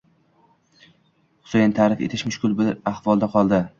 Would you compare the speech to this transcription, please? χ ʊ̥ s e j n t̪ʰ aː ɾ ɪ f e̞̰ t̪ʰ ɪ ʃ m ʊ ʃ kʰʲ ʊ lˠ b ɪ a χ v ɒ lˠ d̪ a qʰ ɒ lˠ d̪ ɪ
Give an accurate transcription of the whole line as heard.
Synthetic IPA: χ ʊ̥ s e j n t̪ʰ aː ɾ ɪ f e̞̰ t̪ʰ ɪ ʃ m ʊ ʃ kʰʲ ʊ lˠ b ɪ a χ v ɒ lˠ d̪ a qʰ ɒ lˠ d̪ ɪ